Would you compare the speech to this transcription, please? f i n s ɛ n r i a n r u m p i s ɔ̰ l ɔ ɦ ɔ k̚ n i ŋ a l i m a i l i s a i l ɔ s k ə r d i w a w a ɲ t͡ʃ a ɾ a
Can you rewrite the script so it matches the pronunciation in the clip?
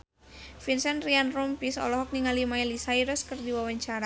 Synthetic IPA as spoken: f i n s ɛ n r i a n r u m p i s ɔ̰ l ɔ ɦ ɔ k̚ n i ŋ a l i m a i l i s a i ɾ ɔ s k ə r d i w a w a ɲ t͡ʃ a ɾ a